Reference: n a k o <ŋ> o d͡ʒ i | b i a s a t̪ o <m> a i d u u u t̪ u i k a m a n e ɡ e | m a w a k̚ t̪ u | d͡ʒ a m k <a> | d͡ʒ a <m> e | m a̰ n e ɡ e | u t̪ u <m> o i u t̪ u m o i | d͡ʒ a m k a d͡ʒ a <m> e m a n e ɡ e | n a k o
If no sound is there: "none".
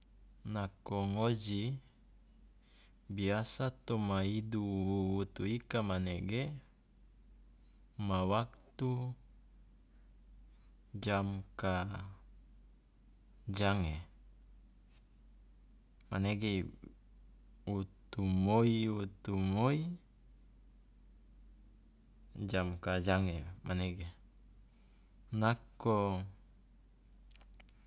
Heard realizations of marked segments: ŋ, m, a, ŋ, m, ŋ

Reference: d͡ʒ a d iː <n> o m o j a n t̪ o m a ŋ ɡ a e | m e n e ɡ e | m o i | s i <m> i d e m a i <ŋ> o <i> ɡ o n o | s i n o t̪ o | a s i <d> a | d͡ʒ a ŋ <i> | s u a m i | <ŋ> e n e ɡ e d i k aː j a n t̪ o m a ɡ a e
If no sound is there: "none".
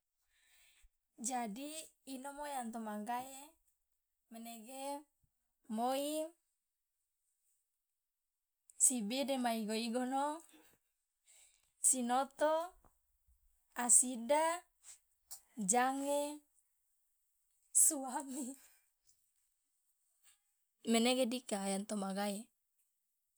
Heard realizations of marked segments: n, b, ɡ, i, d, e, m

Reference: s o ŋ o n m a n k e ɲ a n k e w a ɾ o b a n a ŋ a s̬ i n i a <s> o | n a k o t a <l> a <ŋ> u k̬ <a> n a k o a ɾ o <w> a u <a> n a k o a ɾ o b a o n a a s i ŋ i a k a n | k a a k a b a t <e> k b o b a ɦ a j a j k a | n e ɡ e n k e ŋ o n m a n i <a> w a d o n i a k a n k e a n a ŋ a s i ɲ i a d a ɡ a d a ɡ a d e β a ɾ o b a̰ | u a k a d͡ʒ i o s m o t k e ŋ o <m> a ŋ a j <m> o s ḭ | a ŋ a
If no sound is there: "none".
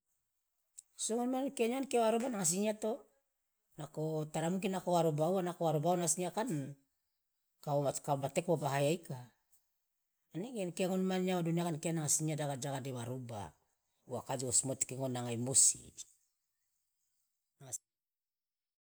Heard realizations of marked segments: t, ɾ, m, i, b, a, e, a, n, m

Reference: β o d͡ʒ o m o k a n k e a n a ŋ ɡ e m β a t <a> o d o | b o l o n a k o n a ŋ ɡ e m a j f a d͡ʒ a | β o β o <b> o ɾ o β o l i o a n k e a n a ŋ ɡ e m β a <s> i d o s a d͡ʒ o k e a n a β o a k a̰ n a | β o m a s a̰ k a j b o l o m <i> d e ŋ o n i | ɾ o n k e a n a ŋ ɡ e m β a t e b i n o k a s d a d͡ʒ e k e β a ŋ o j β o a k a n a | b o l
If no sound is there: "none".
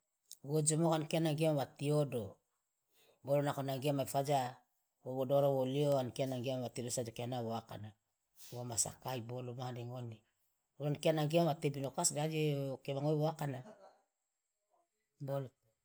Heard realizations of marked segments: i, d, t, a

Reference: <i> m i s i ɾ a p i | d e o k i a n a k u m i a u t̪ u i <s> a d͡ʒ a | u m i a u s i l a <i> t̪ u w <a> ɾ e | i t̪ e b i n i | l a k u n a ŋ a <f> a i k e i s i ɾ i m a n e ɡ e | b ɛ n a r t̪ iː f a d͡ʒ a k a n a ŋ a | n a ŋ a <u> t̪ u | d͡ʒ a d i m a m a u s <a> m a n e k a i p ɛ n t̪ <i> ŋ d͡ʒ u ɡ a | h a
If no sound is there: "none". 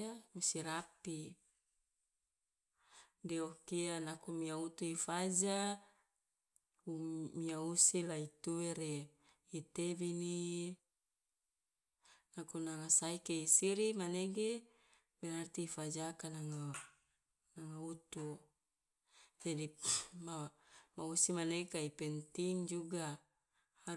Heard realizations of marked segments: a, f, i, e, s, u, i, i

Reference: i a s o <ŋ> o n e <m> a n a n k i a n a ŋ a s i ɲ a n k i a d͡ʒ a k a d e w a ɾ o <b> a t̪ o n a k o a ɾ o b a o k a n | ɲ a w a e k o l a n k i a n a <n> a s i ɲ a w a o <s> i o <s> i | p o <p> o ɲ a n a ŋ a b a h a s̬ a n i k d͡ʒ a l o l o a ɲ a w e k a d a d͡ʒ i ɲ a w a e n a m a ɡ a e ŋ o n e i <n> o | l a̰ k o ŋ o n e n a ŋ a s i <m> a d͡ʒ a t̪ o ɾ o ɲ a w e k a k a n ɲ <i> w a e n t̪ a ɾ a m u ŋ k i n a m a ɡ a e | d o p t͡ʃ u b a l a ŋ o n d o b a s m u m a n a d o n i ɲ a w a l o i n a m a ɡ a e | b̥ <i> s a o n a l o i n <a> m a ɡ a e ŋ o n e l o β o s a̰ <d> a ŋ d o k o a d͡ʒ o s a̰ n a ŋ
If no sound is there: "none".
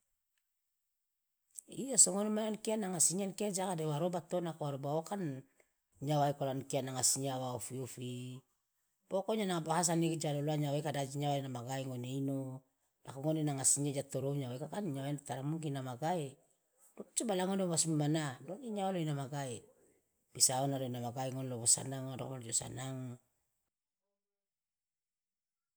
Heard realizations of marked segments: ŋ, m, b, ŋ, f, f, k, n, ɲ, a, i, a, n

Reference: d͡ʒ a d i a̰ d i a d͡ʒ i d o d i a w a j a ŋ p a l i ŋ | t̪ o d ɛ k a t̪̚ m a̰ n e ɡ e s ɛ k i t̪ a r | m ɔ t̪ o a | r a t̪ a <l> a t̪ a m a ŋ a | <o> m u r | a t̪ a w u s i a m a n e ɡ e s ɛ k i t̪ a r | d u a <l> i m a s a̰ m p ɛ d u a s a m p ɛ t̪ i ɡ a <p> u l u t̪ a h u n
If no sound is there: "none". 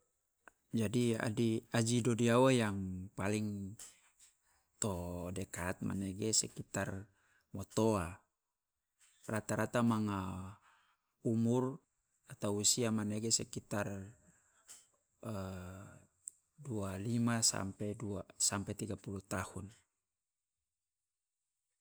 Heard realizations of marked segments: ɾ, u, l, p

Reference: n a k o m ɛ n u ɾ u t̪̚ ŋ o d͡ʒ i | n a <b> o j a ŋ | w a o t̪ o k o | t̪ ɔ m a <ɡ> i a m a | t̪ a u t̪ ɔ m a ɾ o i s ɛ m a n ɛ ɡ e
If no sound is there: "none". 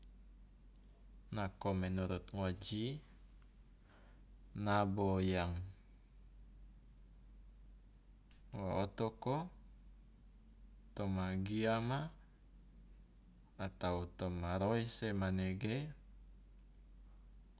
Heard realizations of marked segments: b, ɡ

